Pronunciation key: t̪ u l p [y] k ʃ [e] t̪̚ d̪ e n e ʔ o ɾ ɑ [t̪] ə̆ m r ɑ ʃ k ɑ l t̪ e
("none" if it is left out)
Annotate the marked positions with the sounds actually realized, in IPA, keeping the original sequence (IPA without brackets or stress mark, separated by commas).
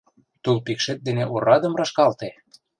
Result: i, e, d̪